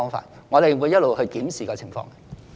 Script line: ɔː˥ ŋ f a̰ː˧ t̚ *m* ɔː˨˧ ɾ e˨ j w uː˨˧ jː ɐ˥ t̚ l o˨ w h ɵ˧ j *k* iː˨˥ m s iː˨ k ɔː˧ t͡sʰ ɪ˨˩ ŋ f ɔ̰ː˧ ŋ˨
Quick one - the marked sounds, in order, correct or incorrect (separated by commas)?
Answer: incorrect, correct